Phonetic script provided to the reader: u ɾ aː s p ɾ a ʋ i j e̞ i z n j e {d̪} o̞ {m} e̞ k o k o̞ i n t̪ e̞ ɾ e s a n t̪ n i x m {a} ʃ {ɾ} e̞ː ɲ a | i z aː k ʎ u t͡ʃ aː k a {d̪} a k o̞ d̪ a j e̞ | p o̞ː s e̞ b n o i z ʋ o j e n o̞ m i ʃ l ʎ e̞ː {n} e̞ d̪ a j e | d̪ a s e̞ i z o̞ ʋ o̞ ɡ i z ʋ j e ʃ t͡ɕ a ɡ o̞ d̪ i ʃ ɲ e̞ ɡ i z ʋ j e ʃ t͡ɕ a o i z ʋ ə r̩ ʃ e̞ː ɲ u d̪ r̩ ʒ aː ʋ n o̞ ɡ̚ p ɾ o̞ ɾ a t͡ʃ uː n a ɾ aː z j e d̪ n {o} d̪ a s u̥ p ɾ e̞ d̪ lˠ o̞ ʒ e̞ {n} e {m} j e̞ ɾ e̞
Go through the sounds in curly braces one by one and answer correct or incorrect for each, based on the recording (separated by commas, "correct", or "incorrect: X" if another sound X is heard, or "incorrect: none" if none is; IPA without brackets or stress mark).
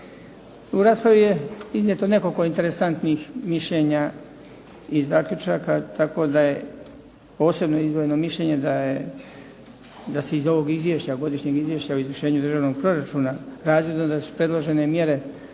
incorrect: t̪, incorrect: n, incorrect: i, incorrect: ʎ, incorrect: t̪, incorrect: ɲ, correct, correct, correct